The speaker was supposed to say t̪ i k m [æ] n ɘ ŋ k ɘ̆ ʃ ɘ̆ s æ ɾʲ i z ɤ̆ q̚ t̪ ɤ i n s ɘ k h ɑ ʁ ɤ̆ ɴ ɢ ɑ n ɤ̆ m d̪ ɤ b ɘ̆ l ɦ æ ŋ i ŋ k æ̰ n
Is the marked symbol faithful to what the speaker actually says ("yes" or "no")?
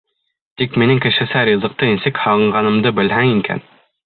no